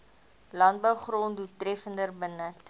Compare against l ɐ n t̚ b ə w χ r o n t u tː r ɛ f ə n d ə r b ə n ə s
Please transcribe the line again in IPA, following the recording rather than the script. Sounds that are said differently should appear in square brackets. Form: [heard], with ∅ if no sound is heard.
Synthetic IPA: l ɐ n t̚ b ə w χ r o n [d] u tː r ɛ f ə n d ə r b ə n ə [t]